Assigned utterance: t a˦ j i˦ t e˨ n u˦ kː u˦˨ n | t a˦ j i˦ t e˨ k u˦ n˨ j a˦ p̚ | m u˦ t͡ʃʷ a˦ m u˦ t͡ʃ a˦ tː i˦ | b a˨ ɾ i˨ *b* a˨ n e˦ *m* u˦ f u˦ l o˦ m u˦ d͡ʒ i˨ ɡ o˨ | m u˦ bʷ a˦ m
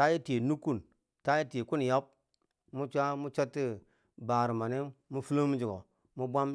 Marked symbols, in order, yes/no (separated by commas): no, yes